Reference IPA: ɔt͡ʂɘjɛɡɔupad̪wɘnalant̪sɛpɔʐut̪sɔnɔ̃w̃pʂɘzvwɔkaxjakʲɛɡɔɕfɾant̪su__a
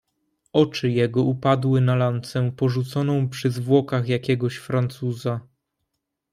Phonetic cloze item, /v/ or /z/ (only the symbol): z